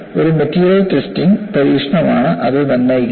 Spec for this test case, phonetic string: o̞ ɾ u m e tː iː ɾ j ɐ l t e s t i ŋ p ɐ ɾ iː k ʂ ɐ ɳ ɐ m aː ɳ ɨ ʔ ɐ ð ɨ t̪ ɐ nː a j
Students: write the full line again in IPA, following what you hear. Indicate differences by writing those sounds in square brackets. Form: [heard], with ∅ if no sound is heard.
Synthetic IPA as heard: o̞ ɾ u m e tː iː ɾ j ɐ l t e s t i ŋ p ɐ ɾ iː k ʂ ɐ ɳ ɐ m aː ɳ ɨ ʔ ɐ ð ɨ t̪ ɐ nː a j